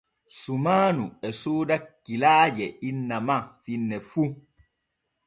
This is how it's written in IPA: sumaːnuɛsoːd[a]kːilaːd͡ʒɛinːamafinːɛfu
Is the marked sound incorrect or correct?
correct